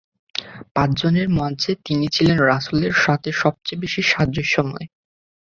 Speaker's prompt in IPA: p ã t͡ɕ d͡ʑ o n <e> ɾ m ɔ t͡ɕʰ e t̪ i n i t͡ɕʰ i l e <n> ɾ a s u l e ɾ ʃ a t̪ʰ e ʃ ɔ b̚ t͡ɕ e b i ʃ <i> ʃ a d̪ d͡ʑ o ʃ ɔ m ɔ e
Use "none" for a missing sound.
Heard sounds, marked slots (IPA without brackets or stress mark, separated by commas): e, n, i